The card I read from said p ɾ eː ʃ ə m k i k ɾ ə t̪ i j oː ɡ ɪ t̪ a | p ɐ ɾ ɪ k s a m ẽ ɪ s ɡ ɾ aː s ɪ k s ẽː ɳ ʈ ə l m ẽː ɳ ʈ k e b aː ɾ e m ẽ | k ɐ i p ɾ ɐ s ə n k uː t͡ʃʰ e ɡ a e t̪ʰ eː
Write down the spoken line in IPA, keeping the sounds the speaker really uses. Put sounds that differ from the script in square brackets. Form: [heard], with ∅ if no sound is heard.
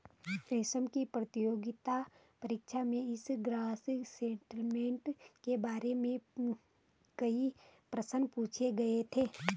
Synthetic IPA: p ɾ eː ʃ ə m k i [p] ɾ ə t̪ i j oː ɡ ɪ t̪ a | p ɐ ɾ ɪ k [ʃ] a m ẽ ɪ s ɡ ɾ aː s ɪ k s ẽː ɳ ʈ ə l m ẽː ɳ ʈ k e b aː ɾ e m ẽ | k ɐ i p ɾ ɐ s ə n [p] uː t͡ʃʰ e ɡ [ɐ] e t̪ʰ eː